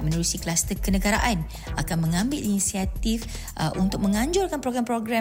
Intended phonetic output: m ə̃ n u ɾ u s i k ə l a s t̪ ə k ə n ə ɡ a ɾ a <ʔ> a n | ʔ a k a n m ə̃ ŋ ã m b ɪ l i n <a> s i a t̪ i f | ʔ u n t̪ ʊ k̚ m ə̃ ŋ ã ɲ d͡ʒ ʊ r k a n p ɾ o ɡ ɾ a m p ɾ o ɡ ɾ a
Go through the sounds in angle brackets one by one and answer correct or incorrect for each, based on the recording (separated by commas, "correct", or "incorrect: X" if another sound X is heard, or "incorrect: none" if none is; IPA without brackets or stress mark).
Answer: correct, incorrect: i